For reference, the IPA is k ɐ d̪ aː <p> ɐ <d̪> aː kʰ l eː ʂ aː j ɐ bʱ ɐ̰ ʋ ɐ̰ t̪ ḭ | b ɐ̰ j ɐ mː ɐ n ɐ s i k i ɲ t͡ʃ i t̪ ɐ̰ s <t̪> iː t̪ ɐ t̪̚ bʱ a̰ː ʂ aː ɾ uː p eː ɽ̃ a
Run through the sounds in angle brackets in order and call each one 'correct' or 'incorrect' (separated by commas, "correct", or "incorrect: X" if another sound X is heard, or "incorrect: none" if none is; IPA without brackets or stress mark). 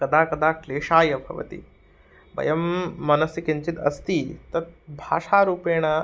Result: incorrect: k, correct, correct